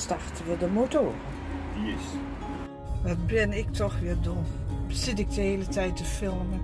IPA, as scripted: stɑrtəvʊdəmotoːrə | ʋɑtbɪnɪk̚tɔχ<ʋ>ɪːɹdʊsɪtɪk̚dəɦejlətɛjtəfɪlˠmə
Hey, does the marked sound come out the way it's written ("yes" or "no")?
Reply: yes